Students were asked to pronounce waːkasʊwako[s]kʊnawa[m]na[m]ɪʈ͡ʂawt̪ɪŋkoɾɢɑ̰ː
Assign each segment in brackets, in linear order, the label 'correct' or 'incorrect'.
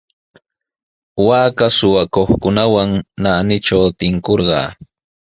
incorrect, incorrect, incorrect

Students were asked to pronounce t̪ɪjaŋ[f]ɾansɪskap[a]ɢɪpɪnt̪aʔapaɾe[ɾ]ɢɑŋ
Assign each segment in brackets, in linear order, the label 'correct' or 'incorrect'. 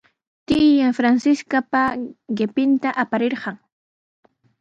correct, correct, correct

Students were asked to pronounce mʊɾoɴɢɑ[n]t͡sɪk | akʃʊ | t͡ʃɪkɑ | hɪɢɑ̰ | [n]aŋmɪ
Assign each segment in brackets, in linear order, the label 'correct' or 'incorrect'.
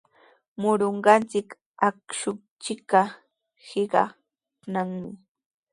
correct, correct

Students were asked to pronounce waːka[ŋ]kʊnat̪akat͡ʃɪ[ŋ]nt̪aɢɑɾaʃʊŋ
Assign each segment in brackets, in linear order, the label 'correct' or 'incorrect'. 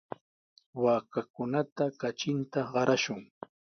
incorrect, incorrect

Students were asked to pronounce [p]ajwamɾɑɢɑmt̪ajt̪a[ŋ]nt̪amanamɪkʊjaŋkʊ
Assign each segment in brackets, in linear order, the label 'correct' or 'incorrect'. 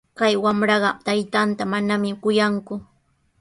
incorrect, incorrect

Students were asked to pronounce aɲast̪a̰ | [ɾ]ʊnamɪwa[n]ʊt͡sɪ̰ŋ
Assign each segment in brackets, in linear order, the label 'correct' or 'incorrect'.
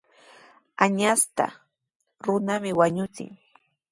correct, incorrect

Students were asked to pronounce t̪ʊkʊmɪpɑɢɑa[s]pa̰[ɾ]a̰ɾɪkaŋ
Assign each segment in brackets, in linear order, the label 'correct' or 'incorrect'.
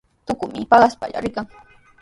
correct, incorrect

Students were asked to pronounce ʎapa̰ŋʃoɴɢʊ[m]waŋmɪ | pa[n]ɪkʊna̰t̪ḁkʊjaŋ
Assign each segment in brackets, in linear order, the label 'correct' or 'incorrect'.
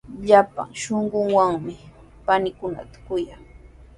incorrect, correct

